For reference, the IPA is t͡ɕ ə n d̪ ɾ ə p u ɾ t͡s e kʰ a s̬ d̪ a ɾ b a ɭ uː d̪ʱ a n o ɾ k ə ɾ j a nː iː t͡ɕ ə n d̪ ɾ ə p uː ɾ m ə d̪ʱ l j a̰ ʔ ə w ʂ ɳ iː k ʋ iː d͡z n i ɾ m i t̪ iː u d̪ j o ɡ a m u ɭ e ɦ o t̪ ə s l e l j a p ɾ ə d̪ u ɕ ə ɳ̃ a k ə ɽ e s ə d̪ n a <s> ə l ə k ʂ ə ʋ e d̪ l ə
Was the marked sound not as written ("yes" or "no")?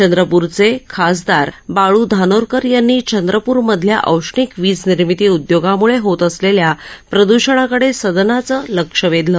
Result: yes